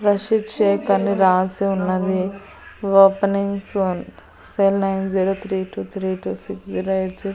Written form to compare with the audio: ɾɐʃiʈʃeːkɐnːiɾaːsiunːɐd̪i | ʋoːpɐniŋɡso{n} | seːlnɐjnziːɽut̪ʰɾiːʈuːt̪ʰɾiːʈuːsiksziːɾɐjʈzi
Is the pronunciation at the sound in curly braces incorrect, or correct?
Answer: correct